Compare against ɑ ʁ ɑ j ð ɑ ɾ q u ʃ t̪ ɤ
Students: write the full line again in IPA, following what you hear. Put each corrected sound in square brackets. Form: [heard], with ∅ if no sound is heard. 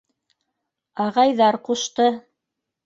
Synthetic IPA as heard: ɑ ʁ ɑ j ð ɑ ɾ q u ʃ t̪ ɤ